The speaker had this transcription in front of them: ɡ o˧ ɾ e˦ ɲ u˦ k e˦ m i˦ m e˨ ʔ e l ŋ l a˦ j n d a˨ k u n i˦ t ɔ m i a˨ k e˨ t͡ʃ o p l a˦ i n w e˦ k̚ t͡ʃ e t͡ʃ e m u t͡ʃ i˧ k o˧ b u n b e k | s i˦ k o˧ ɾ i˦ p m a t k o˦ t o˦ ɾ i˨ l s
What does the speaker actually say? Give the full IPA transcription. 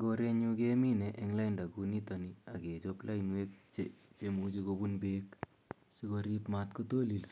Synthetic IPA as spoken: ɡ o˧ ɾ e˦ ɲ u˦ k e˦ m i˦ n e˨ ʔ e ŋ l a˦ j n d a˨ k u n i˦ t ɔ n i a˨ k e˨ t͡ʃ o p l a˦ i n w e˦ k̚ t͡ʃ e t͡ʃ e m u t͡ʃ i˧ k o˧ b u n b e k | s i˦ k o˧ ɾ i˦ p m a t k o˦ t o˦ l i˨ l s